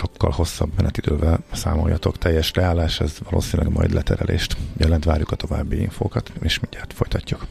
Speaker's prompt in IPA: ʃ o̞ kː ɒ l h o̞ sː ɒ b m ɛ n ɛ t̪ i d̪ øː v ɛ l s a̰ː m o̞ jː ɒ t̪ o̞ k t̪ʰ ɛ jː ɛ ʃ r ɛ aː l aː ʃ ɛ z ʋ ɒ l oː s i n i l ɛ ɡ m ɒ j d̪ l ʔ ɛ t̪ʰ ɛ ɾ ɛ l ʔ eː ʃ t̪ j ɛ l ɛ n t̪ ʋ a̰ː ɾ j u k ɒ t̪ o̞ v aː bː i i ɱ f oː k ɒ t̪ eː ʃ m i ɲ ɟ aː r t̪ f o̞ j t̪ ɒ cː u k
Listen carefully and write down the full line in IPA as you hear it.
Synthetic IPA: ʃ o̞ kː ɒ l h o̞ sː ɒ b m ɛ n ɛ t̪ i d̪ øː v ɛ l s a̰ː m o̞ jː ɒ t̪ o̞ k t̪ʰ ɛ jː ɛ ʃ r ɛ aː l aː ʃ ɛ z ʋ ɒ l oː s i n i l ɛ ɡ m ɒ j d̪ l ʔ ɛ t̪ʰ ɛ ɾ ɛ l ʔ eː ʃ t̪ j ɛ l ɛ n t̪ ʋ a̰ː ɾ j u k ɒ t̪ o̞ v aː bː i i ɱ f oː k ɒ t̪ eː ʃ m i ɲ ɟ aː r t̪ f o̞ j t̪ ɒ cː u k